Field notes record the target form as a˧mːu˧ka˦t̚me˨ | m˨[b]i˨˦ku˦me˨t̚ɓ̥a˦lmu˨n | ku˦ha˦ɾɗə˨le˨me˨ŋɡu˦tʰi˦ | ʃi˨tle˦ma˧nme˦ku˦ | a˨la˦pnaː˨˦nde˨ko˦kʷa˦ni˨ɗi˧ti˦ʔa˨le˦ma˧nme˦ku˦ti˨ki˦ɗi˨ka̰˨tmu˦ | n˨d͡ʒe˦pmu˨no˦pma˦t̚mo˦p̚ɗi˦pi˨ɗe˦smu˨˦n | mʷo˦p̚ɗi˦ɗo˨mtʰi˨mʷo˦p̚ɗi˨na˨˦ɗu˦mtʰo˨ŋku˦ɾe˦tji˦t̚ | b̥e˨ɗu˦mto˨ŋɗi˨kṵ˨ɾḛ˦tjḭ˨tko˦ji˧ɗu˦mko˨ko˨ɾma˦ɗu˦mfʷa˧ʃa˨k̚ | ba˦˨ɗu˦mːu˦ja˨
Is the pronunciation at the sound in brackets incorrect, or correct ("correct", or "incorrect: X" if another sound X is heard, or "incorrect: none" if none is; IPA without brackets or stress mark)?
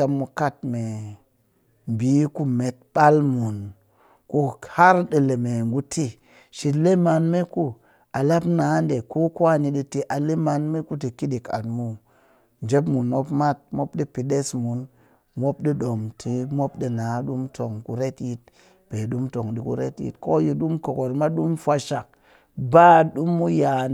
correct